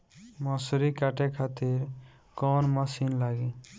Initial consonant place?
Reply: labial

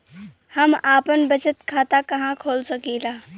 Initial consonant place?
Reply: glottal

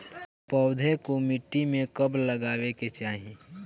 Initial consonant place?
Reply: labial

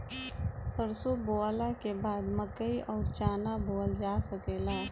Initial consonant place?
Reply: alveolar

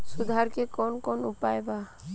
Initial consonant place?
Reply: alveolar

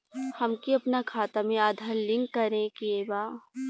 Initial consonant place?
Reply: glottal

